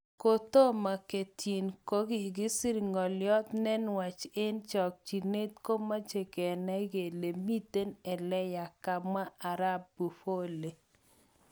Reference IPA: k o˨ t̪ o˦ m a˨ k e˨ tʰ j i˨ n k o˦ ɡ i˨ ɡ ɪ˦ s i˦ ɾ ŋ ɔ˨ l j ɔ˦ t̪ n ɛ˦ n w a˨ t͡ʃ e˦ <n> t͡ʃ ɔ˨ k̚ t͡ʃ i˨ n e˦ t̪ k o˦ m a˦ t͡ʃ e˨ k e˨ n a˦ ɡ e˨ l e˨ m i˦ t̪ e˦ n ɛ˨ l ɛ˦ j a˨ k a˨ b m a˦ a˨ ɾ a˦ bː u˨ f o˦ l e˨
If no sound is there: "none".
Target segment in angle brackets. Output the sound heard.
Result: n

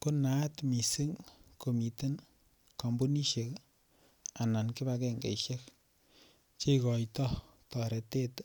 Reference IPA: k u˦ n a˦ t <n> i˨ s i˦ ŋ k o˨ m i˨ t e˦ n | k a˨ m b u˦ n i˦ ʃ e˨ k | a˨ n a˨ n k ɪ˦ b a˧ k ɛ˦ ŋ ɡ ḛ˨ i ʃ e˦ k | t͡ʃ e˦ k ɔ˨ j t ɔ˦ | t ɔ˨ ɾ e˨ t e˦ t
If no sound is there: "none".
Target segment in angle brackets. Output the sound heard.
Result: m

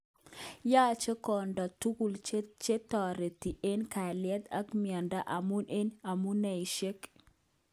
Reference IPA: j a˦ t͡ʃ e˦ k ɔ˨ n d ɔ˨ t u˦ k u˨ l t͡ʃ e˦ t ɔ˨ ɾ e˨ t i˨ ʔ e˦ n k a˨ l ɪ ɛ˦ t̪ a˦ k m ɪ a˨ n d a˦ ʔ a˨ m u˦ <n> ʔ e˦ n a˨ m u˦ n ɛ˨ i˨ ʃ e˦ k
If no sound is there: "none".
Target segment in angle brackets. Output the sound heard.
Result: n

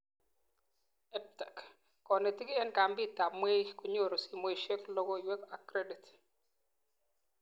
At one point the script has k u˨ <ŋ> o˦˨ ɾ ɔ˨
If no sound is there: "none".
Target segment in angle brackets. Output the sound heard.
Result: ɲ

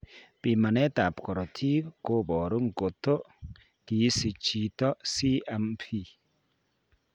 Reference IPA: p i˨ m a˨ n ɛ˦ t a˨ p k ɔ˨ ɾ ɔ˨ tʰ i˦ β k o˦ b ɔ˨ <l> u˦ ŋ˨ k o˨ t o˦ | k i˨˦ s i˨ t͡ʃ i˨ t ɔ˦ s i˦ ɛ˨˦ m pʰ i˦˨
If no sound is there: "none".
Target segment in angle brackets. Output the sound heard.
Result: ɾ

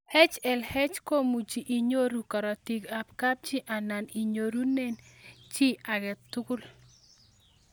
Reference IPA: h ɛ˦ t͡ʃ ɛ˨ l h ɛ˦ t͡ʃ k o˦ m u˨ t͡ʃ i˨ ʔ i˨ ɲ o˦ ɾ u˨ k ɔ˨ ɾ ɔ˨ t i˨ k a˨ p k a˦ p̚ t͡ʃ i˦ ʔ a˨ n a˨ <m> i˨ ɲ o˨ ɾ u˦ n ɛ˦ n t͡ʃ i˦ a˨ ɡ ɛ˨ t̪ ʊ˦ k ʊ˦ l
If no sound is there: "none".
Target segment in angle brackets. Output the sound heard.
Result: n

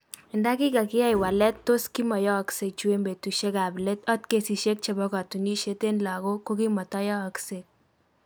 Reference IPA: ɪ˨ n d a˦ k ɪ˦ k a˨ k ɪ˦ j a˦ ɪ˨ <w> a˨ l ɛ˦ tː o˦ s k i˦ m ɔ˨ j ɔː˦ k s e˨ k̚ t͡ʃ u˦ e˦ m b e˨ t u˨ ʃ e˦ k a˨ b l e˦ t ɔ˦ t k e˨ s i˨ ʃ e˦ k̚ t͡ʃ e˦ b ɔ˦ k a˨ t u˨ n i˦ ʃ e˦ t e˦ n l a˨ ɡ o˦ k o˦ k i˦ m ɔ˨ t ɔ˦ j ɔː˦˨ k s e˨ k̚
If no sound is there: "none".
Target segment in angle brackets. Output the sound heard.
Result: w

